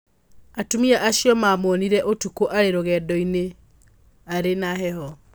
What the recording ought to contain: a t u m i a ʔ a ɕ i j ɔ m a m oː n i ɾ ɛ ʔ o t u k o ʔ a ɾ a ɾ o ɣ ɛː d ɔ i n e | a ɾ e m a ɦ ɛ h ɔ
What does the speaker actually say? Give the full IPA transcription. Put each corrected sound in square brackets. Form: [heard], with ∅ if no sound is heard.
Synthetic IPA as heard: a t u m i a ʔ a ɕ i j ɔ m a m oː n i ɾ ɛ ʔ o t u k o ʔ a ɾ [e] ɾ o ɣ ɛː d ɔ i n e | a ɾ e [n] a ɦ ɛ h ɔ

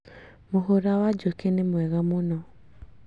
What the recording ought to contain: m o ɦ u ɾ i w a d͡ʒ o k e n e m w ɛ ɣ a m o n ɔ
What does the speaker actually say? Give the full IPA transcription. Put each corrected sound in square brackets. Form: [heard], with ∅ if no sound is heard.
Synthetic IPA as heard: m o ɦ [o] ɾ [a] w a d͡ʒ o k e n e m w ɛ ɣ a m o n ɔ

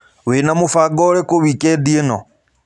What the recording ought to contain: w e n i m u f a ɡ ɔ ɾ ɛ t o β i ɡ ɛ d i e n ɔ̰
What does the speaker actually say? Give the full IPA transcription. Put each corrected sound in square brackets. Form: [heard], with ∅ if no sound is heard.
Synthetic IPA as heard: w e n [a] m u f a ɡ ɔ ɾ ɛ [k] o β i [k] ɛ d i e n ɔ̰

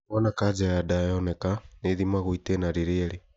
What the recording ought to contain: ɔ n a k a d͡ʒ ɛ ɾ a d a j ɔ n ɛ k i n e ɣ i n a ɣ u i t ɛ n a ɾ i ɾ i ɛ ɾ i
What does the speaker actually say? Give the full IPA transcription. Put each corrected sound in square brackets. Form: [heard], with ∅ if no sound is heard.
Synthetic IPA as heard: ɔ n a k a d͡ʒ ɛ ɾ a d a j ɔ n ɛ k [a] n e [ð] i [m] a ɣ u i t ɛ n a ɾ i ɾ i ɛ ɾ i

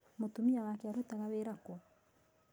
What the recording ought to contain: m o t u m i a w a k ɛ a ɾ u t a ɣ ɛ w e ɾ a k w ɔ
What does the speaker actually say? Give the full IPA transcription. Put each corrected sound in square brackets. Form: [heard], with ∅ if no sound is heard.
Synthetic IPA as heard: m o t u m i a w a k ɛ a ɾ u t a ɣ [a] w e ɾ a k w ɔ

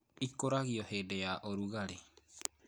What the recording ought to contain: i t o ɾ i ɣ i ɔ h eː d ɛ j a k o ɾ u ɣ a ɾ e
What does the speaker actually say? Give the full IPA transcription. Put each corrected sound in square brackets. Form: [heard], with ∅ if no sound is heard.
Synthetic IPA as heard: i [k] o ɾ [a] ɣ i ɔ h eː d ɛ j a [ʔ] o ɾ u ɣ a ɾ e

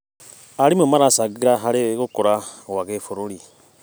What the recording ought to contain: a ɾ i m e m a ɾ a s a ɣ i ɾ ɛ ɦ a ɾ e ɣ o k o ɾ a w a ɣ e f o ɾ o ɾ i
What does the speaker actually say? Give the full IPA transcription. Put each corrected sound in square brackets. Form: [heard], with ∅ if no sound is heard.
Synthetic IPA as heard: a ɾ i m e m a ɾ a s a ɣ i ɾ [a] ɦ a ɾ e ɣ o k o ɾ a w a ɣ e f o ɾ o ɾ i

